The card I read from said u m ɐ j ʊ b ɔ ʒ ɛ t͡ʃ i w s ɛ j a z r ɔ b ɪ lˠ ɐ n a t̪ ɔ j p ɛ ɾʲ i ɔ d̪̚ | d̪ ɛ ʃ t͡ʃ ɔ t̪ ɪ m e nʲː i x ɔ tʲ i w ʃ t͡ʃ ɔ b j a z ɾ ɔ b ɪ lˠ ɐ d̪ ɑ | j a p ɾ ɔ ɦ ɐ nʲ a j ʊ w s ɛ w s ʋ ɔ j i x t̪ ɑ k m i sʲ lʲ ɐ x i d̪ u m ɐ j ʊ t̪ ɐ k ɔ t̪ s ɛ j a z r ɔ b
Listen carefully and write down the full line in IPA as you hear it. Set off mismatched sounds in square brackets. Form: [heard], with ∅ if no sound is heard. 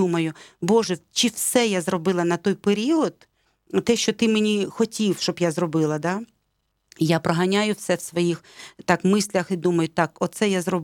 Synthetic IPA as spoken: u m ɐ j ʊ b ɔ ʒ ɛ t͡ʃ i w s ɛ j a z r ɔ b ɪ lˠ ɐ n [ɐ] t̪ ɔ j p [e] ɾʲ i ɔ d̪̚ | [t̪] ɛ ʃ t͡ʃ ɔ t̪ ɪ m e [nʲ] i x ɔ tʲ i w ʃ t͡ʃ ɔ b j a z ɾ ɔ b ɪ lˠ ɐ d̪ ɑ | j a p ɾ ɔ ɦ ɐ nʲ a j ʊ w s ɛ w s ʋ ɔ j i x t̪ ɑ k m [ɪ] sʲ lʲ ɐ x i d̪ u m ɐ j ʊ t̪ [ɑ] k ɔ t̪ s ɛ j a z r ɔ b